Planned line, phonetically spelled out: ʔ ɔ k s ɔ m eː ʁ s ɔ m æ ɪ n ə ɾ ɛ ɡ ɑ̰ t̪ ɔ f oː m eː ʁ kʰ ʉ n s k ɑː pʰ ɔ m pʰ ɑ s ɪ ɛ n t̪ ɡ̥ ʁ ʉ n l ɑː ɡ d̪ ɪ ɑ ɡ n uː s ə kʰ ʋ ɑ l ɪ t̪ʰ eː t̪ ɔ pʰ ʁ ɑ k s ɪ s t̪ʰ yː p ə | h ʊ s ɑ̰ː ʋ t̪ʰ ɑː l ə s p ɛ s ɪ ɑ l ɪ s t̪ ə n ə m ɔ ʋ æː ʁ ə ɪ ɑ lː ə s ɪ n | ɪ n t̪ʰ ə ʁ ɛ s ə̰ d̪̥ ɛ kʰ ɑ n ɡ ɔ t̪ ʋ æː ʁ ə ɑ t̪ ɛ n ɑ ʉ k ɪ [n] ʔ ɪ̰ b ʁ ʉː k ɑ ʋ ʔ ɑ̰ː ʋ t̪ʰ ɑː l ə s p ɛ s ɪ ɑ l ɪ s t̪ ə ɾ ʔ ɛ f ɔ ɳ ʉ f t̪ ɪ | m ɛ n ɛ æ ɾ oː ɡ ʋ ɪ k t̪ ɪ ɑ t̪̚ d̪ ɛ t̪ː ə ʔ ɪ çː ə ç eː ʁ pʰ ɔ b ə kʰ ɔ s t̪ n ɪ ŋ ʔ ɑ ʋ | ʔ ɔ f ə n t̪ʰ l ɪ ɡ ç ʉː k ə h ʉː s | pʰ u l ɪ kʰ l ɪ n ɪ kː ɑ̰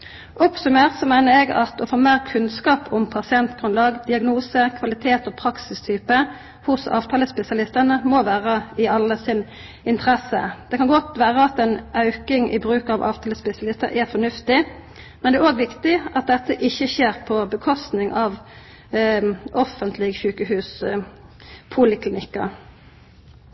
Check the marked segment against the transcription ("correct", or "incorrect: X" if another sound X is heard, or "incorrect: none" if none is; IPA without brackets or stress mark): incorrect: ŋ